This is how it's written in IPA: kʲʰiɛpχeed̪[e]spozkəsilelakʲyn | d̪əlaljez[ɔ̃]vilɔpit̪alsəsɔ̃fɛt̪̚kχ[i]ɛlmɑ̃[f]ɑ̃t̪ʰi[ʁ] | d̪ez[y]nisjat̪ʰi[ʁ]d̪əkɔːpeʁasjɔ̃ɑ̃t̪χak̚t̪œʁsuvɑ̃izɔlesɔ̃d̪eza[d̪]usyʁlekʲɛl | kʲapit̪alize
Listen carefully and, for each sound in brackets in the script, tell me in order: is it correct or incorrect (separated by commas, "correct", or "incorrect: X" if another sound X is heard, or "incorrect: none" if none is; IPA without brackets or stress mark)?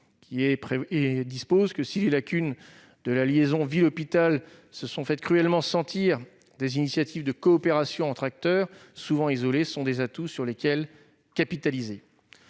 incorrect: i, correct, incorrect: y, incorrect: s, correct, incorrect: i, incorrect: v, incorrect: t̪